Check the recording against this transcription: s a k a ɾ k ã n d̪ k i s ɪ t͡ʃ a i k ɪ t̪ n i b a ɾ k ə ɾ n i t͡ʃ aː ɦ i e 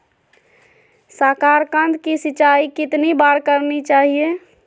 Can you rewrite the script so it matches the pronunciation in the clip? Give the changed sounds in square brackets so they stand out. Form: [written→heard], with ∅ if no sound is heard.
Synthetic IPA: s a k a ɾ k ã n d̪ k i s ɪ t͡ʃ a i k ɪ t̪ n i b a ɾ k ə ɾ n i t͡ʃ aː ɦ i e